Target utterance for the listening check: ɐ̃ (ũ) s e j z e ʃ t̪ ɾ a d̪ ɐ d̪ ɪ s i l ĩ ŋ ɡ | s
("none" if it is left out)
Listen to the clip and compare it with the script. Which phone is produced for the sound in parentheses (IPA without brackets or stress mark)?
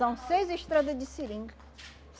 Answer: w̃